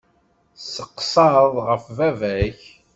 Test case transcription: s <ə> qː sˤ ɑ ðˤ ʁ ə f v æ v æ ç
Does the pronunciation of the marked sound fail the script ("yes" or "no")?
no